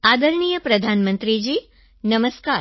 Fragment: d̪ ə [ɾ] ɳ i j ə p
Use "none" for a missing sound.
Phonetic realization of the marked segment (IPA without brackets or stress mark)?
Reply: ɾ